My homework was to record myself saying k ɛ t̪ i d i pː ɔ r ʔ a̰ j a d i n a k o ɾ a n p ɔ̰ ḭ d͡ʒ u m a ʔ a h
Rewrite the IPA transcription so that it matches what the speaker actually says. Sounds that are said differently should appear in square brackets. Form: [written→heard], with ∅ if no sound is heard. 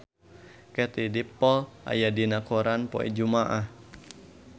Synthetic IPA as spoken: k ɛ t̪ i d i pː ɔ [r→l] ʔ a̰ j a d i n a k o ɾ a n p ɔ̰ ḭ d͡ʒ u m a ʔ a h